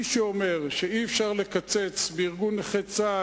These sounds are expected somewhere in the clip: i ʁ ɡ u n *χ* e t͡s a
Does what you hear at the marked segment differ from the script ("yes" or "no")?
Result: no